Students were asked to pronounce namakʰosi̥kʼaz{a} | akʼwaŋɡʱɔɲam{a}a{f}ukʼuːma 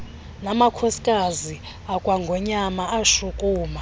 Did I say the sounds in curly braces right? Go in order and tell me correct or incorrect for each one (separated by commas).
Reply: incorrect, correct, incorrect